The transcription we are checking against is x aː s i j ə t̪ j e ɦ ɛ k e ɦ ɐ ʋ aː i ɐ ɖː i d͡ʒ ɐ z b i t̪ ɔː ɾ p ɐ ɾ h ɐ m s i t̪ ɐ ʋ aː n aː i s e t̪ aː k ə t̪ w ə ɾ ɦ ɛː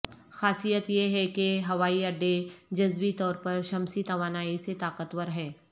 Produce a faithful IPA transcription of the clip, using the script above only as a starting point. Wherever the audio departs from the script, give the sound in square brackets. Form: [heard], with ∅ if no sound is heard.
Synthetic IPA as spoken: x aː s i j ə t̪ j e ɦ ɛ k e ɦ ɐ ʋ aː i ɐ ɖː [e] d͡ʒ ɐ z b i t̪ ɔː ɾ p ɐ ɾ [ʃ] ɐ m s i t̪ ɐ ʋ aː n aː i s e t̪ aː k ə t̪ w ə ɾ ɦ ɛː

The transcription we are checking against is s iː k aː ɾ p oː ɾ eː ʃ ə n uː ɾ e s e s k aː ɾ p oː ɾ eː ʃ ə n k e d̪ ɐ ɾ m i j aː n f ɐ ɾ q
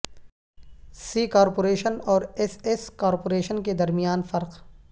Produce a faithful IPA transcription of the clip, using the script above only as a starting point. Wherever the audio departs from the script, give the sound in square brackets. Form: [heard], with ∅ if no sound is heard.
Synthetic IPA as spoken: s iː k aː ɾ p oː ɾ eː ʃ ə n [ɔː] ɾ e s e s k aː ɾ p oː ɾ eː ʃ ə n k e d̪ ɐ ɾ m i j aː n f ɐ ɾ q

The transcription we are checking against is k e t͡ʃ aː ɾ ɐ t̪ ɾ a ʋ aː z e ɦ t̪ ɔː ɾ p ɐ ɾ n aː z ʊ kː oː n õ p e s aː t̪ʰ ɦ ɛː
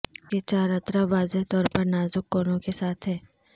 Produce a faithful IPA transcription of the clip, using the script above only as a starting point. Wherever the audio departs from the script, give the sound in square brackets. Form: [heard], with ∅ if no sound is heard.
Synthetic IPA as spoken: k e t͡ʃ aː ɾ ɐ t̪ ɾ a ʋ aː z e ɦ t̪ ɔː ɾ p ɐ ɾ n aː z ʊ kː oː n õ [k] e s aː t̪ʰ ɦ ɛː

